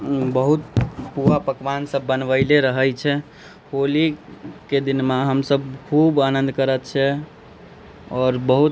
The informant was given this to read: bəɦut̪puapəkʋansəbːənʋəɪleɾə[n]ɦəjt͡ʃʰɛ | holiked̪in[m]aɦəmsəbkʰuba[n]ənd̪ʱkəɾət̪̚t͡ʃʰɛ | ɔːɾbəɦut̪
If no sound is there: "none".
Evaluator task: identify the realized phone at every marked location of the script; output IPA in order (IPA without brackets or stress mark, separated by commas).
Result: none, m, n